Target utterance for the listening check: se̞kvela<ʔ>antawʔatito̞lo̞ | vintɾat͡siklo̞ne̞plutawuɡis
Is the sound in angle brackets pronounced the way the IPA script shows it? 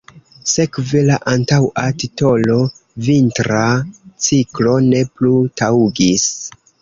yes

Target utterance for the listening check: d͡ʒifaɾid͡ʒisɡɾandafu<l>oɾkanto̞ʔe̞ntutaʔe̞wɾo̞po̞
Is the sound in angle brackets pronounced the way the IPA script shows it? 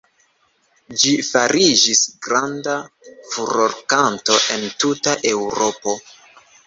no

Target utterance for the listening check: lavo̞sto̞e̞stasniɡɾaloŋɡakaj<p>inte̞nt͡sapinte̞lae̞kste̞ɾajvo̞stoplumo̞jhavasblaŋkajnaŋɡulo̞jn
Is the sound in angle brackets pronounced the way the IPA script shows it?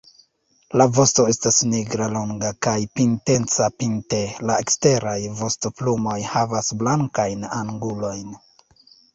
yes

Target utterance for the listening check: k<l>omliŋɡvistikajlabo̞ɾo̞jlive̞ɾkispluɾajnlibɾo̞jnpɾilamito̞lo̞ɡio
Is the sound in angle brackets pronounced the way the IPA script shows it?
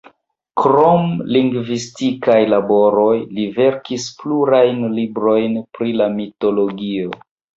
no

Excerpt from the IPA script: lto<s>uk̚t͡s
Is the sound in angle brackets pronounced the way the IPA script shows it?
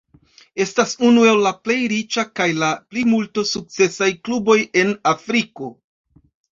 yes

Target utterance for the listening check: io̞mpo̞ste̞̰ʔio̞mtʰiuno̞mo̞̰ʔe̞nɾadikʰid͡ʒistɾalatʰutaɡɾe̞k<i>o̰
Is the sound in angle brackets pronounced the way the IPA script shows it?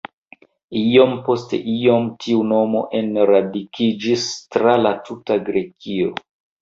yes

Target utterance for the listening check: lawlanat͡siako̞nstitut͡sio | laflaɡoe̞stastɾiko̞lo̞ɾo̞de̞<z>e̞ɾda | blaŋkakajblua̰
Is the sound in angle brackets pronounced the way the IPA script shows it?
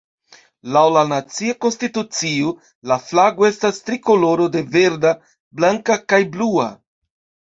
no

